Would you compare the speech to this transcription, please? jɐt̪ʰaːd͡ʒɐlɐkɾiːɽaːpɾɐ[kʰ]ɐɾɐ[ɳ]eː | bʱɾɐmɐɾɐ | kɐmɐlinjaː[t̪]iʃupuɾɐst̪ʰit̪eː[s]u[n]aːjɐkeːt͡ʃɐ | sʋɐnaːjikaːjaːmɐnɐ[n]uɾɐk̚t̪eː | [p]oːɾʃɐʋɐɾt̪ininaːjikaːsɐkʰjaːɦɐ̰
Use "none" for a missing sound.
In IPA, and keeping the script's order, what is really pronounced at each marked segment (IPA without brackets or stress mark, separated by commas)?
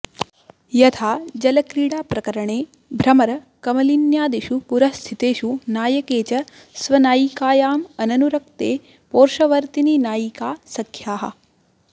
k, ɳ, d̪, ʃ, n, n, p